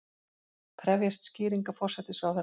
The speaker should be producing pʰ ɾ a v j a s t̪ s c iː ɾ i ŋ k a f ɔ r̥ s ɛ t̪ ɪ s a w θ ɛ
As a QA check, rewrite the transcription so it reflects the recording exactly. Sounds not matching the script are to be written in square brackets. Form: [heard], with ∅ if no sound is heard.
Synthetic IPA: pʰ ɾ [ɛ] v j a s t̪ s c iː ɾ i ŋ k a f ɔ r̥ s ɛ t̪ ɪ s a w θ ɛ

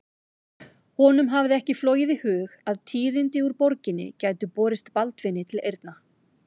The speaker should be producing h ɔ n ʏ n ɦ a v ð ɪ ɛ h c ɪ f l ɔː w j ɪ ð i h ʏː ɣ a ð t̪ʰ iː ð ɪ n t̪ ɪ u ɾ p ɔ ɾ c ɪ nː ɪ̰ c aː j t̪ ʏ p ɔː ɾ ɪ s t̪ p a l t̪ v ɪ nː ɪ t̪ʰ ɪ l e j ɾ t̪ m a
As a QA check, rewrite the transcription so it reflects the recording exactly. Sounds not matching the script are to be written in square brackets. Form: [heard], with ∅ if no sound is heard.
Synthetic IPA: h ɔ n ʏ [m] ɦ a v ð ɪ ɛ h c ɪ f l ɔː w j ɪ ð i h ʏː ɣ a ð t̪ʰ iː ð ɪ n t̪ ɪ u ɾ p ɔ ɾ c ɪ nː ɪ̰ c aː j t̪ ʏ p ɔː ɾ ɪ s t̪ p a l t̪ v ɪ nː ɪ t̪ʰ ɪ l e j ɾ t̪ [n] a

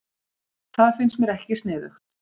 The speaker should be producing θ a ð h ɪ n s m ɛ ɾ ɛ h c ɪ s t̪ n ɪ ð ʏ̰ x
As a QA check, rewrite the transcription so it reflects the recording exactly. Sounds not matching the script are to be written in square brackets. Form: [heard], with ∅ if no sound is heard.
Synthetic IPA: θ a ð [f] ɪ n s m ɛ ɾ ɛ h c ɪ s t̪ n [ɪː] ð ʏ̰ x

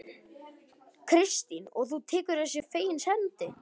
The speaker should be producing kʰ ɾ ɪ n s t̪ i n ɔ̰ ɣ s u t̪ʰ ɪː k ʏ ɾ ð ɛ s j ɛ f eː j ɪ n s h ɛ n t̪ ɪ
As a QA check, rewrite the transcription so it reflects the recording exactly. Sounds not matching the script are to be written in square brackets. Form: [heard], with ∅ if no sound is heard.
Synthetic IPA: kʰ ɾ ɪ [∅] s t̪ i n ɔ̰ ɣ [θ] u t̪ʰ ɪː k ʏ ɾ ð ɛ s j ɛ f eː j ɪ n s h ɛ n t̪ ɪ

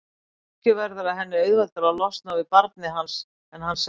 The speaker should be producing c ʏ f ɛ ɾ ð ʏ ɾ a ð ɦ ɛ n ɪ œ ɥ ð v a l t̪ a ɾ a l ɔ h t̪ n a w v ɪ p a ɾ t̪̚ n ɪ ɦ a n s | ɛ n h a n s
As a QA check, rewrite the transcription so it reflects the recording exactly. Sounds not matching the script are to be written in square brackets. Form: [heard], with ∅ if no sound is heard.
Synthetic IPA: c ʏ [v] ɛ ɾ ð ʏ ɾ a ð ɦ ɛ [nː] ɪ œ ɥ ð v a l t̪ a ɾ a l ɔ [s] t̪ n a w v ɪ p a ɾ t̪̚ n ɪ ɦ a n s | ɛ n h a n s

